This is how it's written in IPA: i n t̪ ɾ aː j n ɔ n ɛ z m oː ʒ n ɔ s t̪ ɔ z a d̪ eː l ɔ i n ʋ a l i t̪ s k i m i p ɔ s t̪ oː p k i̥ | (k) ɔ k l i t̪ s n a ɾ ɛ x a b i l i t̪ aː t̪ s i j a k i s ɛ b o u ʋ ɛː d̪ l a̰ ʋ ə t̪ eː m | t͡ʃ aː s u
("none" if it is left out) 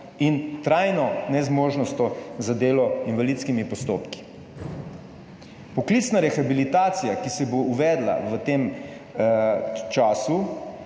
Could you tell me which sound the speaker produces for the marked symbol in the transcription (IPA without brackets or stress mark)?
p